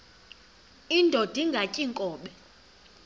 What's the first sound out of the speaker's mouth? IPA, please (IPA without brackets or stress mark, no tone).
i